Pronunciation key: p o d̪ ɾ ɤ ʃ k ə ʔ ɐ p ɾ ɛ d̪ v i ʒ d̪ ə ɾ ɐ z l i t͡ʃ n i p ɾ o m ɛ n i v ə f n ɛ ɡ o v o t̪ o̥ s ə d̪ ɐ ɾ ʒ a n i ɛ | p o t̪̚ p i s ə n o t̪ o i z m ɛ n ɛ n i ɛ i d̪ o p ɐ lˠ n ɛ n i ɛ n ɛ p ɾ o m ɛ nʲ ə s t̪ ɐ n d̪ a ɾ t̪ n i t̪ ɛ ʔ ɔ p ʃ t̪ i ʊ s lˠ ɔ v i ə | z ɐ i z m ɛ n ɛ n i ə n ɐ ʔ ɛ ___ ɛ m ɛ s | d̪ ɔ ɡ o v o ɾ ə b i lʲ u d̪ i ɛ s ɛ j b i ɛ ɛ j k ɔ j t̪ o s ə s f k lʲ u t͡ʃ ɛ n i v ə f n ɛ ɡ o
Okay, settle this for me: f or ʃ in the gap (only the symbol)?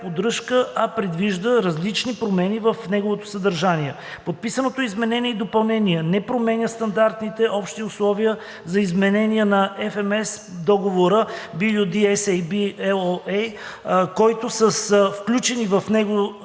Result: f